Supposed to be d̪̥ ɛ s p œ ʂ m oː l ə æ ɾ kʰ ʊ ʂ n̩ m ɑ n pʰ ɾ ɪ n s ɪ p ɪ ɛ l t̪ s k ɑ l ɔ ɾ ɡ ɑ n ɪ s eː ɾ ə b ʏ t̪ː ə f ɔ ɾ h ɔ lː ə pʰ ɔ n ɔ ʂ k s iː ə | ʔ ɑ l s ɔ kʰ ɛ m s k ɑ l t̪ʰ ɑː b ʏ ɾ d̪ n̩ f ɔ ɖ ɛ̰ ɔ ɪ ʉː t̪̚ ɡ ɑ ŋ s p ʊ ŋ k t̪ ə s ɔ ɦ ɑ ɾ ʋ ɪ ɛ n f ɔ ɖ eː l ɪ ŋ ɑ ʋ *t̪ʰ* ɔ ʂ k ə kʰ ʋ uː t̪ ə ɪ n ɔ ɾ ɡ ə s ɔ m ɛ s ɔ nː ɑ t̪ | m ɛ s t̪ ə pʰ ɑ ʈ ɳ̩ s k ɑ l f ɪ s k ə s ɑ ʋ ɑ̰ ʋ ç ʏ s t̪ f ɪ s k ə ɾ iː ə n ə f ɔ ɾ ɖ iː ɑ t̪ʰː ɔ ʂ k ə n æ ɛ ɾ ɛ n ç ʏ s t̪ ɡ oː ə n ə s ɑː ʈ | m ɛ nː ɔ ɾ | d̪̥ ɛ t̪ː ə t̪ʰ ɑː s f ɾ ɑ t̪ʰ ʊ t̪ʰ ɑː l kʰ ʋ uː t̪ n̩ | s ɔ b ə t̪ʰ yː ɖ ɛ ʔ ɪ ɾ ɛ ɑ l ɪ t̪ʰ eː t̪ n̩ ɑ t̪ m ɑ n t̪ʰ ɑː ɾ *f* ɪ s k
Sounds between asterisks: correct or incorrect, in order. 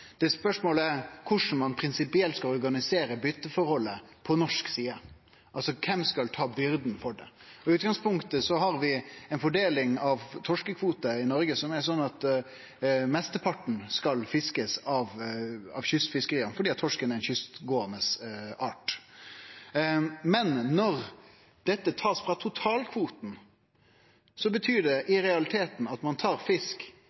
correct, correct

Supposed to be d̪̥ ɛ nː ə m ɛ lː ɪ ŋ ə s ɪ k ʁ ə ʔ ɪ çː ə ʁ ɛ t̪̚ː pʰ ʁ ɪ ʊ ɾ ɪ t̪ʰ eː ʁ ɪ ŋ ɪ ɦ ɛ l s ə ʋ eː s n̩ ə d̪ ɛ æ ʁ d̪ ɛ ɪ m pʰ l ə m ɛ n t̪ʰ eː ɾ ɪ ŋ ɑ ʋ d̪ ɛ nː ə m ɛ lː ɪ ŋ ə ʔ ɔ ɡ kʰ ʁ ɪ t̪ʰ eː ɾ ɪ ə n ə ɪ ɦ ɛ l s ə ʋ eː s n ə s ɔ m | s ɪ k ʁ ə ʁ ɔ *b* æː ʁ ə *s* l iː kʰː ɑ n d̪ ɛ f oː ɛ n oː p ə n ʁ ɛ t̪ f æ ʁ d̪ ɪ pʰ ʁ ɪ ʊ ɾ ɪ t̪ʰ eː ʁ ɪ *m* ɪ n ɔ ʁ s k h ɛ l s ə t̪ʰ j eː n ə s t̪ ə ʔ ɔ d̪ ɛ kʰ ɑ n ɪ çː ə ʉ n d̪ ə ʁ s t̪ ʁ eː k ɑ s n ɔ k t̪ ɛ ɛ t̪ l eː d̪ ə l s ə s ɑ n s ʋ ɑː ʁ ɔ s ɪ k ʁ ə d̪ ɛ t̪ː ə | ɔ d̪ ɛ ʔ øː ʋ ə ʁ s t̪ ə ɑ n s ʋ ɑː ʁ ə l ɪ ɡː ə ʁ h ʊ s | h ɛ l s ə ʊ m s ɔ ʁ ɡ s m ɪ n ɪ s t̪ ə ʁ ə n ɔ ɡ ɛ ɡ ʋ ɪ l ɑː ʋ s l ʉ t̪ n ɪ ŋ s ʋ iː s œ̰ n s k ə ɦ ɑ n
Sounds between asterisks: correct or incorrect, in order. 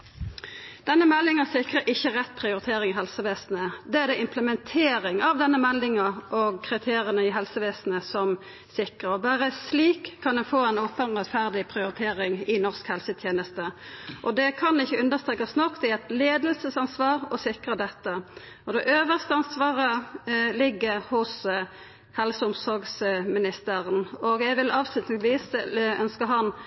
correct, correct, incorrect: ŋ

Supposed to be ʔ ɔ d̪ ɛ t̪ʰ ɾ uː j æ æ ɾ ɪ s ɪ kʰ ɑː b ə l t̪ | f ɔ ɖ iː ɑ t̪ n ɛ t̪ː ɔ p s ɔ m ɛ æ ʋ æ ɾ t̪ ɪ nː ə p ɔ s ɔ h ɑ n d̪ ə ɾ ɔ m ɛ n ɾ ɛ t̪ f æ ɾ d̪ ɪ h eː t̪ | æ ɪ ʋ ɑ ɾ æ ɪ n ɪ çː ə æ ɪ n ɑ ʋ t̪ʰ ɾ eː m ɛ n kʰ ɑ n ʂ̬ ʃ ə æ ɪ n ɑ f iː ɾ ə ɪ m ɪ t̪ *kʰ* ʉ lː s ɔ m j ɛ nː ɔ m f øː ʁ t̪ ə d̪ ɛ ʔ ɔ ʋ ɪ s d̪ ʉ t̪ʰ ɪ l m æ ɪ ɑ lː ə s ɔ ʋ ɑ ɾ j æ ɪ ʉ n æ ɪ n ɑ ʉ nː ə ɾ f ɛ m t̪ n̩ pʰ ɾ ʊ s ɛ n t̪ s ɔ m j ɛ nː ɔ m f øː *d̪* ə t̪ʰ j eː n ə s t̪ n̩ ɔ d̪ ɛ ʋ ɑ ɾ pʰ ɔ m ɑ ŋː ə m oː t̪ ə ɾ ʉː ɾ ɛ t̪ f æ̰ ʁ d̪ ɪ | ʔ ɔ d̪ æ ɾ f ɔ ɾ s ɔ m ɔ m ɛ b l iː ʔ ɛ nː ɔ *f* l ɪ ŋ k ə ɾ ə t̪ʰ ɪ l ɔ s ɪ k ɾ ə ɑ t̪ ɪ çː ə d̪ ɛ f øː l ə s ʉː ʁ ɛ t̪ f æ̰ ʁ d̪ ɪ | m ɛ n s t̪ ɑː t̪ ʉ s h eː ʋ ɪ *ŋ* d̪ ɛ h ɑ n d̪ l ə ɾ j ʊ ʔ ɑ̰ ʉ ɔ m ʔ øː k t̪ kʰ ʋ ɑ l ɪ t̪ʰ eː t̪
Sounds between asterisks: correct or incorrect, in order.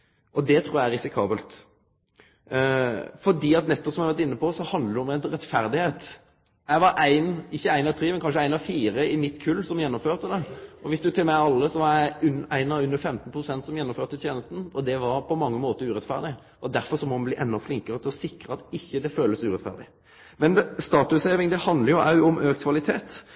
correct, incorrect: t̪, correct, correct

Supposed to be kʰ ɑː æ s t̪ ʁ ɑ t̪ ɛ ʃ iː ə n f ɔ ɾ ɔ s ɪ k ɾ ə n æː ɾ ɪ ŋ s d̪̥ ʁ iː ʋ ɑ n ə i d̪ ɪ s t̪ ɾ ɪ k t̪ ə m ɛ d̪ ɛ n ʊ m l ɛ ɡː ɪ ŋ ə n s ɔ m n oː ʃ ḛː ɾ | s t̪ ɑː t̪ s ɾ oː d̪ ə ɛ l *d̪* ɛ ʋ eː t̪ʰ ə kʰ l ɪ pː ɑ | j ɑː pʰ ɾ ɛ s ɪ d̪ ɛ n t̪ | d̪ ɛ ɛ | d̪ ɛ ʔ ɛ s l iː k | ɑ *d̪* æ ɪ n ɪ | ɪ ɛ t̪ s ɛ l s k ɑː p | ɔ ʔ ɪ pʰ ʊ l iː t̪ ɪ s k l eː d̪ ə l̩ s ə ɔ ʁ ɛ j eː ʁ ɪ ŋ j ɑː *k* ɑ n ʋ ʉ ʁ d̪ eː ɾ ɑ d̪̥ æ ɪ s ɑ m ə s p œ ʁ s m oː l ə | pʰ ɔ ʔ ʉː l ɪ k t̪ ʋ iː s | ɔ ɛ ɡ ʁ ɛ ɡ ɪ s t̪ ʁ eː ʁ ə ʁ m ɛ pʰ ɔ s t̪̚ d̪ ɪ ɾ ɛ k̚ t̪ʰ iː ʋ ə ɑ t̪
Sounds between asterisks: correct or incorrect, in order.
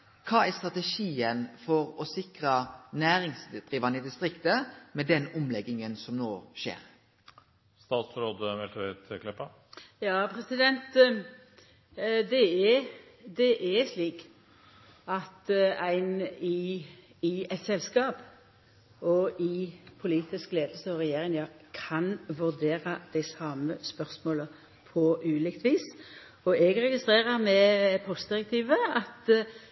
incorrect: t̪, incorrect: t̪, incorrect: kʰ

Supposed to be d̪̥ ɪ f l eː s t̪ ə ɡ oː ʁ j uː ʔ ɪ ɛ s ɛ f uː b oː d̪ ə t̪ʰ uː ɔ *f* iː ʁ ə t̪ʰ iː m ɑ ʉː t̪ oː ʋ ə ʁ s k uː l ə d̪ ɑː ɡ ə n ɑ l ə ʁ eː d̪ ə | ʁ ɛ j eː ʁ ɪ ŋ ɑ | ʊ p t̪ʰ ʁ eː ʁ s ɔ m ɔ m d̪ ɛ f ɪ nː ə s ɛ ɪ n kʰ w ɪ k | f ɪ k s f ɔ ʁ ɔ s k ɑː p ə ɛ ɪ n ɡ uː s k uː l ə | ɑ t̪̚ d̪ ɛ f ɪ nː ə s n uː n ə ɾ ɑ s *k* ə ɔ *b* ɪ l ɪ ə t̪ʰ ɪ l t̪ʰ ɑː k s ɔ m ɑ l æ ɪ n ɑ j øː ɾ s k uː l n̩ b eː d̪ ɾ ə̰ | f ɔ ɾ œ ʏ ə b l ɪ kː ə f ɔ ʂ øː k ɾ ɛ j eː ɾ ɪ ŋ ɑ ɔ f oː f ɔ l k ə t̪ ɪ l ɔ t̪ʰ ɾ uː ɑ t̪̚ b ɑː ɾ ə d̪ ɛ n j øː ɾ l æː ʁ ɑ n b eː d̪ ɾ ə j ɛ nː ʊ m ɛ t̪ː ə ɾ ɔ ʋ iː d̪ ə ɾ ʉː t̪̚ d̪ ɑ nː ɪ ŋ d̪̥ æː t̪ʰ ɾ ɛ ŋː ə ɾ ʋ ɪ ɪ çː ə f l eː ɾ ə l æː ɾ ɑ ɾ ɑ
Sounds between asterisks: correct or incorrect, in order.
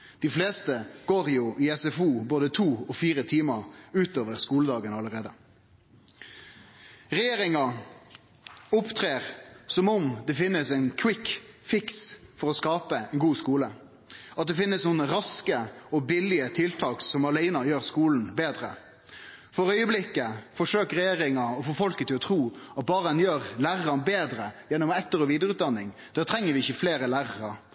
correct, correct, correct

